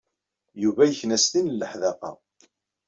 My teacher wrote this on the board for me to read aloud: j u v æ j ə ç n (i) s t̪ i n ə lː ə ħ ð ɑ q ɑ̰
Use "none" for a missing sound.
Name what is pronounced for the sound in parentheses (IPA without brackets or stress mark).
æ